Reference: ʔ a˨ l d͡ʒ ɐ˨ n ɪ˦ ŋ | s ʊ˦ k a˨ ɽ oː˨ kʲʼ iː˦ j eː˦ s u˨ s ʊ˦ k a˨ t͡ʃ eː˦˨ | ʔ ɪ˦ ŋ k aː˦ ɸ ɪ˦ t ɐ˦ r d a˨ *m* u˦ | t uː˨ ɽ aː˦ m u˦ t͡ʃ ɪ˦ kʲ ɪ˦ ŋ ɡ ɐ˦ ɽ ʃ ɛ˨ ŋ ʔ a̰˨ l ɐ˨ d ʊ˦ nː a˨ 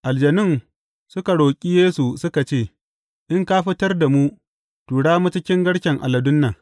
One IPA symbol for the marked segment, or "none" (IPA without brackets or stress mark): m